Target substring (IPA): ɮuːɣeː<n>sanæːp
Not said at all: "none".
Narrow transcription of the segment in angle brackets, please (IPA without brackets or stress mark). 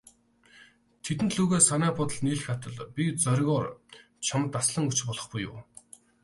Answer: none